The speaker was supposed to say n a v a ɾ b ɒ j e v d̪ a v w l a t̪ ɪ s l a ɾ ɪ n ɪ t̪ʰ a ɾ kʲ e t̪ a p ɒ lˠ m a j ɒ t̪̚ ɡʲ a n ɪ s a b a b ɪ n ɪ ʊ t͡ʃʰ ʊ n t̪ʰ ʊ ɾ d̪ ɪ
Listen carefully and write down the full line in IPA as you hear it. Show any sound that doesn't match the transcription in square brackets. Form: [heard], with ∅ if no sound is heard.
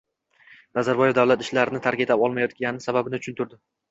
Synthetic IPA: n a [z] a ɾ b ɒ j e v d̪ a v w l a t̪ ɪ [ʃ] l a ɾ ɪ n ɪ t̪ʰ a ɾ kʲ e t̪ a p ɒ lˠ m a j ɒ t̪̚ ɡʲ a n ɪ s a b a b ɪ n ɪ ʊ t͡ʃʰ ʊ n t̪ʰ ʊ ɾ d̪ ɪ

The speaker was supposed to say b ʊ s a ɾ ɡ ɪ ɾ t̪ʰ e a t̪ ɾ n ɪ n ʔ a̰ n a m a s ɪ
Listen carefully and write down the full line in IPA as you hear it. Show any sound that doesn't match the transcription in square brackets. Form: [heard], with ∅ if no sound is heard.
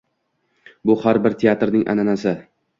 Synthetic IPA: b ʊ [h] a ɾ [b] ɪ ɾ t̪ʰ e a t̪ ɾ n ɪ [ŋ] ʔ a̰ n a [n] a s ɪ

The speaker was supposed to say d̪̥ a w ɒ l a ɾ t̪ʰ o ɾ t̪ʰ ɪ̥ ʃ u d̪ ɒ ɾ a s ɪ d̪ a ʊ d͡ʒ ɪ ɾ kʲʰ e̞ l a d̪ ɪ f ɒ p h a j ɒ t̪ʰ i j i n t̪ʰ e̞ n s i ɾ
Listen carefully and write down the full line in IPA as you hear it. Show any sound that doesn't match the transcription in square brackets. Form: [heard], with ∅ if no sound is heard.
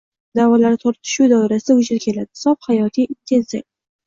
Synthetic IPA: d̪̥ a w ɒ l a ɾ t̪ʰ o ɾ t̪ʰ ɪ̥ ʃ u d̪ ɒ ɾ a s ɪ d̪ a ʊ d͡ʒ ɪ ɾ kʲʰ e̞ l a d̪ ɪ [s] ɒ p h a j ɒ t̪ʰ i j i n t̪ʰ e̞ n s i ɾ

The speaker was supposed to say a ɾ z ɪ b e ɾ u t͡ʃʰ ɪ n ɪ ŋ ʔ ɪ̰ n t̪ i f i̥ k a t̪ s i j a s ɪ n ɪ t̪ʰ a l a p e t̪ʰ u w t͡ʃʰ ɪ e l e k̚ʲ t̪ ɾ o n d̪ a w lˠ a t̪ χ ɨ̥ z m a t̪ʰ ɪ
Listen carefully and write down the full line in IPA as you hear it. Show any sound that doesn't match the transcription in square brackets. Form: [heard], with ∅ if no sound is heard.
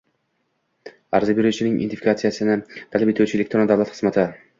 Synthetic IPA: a ɾ z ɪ b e ɾ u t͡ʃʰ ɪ n ɪ ŋ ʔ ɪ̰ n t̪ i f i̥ k a t̪ s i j a s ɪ n ɪ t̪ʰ a l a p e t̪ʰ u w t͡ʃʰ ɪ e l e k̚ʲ t̪ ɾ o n d̪ a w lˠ a t̪ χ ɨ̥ z m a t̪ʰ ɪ

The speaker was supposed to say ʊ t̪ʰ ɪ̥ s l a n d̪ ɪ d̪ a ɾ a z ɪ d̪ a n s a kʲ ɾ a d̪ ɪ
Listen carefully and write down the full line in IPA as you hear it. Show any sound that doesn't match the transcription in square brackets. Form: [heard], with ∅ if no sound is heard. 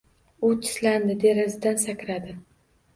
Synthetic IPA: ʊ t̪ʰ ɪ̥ s l a n d̪ ɪ d̪ [e] ɾ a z ɪ d̪ a n s a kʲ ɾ a d̪ ɪ

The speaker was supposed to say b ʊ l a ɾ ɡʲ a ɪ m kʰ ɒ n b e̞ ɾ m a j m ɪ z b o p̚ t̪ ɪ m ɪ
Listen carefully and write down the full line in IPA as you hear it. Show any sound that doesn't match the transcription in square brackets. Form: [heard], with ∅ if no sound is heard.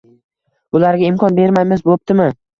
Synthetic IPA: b ʊ l a ɾ ɡʲ a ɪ m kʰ ɒ n b e̞ ɾ m a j m ɪ z b o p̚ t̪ ɪ m ɪ

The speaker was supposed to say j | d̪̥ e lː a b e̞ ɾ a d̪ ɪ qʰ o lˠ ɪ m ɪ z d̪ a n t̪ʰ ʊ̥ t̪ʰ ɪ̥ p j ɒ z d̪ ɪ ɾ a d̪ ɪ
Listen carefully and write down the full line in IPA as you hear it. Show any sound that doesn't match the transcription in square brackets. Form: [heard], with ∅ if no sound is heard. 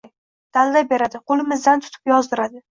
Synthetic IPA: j | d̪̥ [a] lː a b e̞ ɾ a d̪ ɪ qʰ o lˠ ɪ m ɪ z d̪ a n t̪ʰ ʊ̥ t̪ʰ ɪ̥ p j ɒ z d̪ ɪ ɾ a d̪ ɪ

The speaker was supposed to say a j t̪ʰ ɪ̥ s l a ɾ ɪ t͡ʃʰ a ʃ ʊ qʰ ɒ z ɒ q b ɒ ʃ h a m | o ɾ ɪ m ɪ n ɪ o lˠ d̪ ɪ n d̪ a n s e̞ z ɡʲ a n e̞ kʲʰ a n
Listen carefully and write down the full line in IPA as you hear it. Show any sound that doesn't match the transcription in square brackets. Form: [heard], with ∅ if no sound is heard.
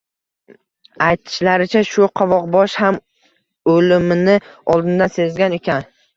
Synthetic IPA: a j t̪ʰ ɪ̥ [ʃ] l a ɾ ɪ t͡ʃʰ a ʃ ʊ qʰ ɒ [v] ɒ q b ɒ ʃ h a m | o [l] ɪ m ɪ n ɪ [ɒ] lˠ d̪ ɪ n d̪ a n s e̞ z ɡʲ a n e̞ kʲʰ a n

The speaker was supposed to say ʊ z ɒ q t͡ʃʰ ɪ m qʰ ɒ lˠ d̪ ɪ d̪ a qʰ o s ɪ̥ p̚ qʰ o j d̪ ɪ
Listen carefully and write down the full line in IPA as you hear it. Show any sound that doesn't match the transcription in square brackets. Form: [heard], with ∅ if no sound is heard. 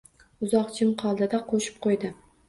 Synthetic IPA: ʊ z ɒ q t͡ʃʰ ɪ m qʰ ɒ lˠ d̪ ɪ d̪ a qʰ o [ʃ] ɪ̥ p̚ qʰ o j d̪ ɪ

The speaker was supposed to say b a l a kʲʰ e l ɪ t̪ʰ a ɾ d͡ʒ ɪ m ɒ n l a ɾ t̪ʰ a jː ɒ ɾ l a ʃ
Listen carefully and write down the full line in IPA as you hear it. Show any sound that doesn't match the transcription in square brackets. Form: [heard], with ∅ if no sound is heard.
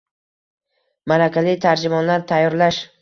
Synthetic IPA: [m] a [ɾ] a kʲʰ [a] l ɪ t̪ʰ a ɾ d͡ʒ ɪ m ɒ n l a ɾ t̪ʰ a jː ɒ ɾ l a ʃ

